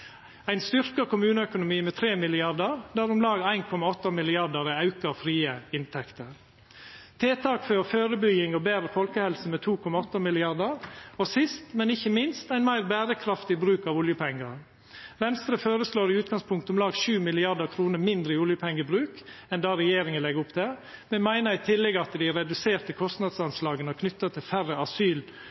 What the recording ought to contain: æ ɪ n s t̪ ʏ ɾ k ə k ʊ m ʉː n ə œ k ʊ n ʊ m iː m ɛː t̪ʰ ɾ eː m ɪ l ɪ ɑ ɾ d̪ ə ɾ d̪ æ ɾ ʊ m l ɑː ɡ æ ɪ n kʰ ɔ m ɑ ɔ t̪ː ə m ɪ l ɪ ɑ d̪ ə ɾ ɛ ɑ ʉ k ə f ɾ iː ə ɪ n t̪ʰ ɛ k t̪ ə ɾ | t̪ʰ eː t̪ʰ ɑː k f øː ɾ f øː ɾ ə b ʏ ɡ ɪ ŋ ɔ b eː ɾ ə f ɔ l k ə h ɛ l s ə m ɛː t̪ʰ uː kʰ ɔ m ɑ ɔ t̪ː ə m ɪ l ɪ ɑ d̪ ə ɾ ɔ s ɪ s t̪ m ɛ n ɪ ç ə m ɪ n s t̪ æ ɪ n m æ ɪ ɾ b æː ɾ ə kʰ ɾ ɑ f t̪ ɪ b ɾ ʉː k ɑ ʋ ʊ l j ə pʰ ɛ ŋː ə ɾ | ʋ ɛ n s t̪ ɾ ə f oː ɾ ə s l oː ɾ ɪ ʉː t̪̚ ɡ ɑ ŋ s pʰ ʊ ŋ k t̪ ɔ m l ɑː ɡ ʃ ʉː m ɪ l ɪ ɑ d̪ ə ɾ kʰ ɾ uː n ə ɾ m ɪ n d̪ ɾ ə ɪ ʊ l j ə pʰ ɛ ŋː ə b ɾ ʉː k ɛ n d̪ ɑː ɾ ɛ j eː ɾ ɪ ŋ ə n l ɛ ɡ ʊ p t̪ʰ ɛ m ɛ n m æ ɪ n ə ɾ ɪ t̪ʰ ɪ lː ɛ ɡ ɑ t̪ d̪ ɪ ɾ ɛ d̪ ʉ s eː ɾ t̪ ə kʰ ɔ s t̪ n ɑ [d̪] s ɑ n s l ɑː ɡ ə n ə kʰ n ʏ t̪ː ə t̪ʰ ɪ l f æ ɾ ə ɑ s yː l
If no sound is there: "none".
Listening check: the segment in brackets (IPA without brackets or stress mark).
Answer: d̪